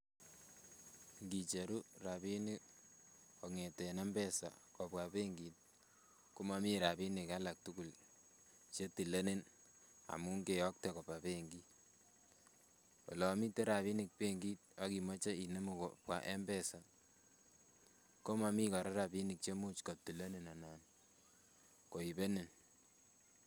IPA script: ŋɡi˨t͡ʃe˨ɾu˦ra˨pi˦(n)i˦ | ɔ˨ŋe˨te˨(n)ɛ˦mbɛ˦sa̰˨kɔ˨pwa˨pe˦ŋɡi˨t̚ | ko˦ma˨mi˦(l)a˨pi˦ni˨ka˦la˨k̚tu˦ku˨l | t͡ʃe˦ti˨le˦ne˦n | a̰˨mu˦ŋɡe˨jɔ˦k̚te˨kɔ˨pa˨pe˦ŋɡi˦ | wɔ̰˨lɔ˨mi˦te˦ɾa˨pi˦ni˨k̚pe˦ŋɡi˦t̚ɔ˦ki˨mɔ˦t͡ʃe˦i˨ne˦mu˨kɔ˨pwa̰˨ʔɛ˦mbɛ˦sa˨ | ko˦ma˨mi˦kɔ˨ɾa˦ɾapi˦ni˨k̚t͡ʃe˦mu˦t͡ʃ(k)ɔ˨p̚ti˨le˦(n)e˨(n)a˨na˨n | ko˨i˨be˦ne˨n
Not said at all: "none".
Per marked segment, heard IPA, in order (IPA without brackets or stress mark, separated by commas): n, n, ɾ, k, n, n